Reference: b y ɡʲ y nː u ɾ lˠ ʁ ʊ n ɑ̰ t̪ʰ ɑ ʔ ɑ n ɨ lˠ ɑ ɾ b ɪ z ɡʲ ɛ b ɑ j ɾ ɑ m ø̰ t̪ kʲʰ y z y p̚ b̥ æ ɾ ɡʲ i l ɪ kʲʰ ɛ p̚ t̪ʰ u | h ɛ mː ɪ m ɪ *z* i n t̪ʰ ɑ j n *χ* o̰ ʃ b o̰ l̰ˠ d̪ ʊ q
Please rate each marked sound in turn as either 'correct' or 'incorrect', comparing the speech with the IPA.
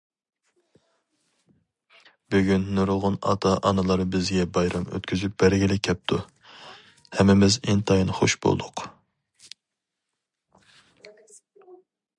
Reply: correct, correct

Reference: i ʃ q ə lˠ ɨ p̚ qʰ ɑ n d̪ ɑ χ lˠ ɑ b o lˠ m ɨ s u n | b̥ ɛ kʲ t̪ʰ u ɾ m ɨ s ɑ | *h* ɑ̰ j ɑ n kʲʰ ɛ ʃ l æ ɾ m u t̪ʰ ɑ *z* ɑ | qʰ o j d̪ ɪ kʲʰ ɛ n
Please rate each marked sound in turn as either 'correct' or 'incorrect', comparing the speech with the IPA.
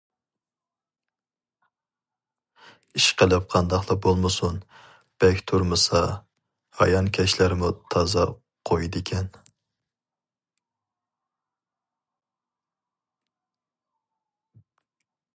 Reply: correct, correct

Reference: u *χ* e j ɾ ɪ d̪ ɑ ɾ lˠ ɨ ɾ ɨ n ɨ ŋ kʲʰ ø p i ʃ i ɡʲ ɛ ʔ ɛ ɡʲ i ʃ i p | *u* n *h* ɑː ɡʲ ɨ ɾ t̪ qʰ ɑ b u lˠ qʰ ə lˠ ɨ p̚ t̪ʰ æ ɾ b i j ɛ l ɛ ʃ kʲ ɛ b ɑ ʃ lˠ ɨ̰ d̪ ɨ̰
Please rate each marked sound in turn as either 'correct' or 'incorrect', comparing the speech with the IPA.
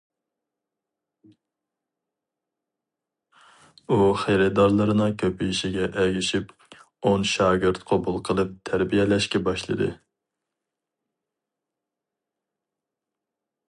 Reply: correct, incorrect, incorrect

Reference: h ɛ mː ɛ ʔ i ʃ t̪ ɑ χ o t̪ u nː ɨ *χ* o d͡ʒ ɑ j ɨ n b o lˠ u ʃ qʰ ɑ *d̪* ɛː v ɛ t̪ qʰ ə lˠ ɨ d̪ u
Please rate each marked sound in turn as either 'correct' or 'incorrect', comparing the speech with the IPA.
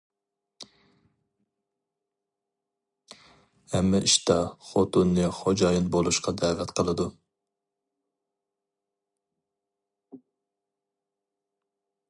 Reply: correct, correct

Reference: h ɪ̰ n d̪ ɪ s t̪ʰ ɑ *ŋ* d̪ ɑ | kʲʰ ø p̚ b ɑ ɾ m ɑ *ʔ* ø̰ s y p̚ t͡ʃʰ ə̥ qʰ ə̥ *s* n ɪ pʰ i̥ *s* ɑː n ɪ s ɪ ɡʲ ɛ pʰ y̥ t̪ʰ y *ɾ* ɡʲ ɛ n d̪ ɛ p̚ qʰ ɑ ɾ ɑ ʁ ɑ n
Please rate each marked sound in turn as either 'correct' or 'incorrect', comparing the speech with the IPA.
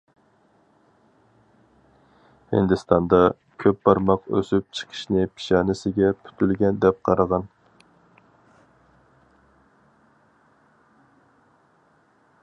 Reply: incorrect, incorrect, incorrect, incorrect, incorrect

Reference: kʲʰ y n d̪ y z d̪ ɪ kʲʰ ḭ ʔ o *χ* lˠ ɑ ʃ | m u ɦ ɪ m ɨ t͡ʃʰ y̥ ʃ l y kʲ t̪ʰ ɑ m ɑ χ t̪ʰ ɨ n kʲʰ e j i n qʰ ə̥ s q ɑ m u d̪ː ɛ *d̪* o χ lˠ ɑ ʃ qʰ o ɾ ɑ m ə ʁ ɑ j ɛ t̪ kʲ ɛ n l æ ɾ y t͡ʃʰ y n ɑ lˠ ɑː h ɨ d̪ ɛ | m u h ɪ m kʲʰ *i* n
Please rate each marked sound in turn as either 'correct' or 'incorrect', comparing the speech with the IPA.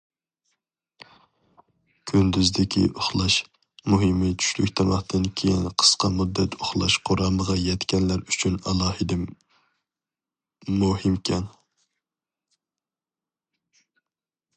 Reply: correct, incorrect, incorrect

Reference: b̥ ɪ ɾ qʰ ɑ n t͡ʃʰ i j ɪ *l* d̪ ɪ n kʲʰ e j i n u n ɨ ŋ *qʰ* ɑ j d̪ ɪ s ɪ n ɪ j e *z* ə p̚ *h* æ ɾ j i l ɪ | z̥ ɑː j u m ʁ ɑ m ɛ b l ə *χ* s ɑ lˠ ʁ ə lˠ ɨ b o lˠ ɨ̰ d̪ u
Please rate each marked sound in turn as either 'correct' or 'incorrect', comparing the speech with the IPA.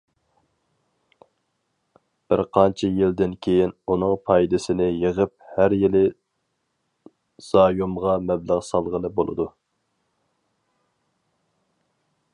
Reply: correct, incorrect, incorrect, correct, incorrect

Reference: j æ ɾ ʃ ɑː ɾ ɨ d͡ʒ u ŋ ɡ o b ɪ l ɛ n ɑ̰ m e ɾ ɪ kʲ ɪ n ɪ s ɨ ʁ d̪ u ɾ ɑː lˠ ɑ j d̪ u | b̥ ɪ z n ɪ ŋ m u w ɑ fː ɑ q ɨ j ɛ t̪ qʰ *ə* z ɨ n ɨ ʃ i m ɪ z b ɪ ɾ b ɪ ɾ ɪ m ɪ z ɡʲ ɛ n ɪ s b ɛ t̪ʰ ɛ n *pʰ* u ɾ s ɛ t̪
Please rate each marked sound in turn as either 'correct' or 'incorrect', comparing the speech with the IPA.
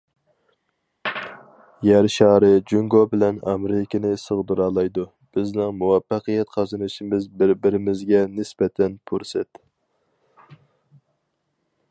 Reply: incorrect, correct

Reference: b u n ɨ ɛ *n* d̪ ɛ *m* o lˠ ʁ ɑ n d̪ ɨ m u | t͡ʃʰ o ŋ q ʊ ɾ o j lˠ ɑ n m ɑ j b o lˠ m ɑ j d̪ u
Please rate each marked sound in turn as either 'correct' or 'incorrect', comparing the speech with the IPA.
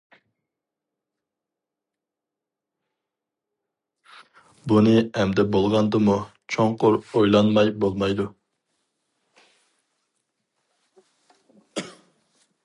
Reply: incorrect, incorrect

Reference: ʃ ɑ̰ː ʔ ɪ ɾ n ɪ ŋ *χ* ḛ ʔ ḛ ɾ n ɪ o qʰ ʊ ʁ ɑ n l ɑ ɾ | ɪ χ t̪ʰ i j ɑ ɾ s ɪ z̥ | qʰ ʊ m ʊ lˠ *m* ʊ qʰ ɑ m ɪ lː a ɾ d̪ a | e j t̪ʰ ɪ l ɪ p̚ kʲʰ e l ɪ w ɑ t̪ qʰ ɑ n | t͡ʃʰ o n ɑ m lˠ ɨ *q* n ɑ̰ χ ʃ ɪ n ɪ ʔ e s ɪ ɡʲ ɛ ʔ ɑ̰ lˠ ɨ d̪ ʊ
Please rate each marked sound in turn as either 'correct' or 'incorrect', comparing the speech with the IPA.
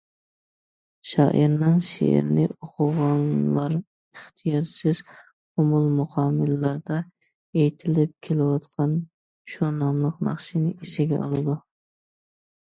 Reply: incorrect, correct, correct

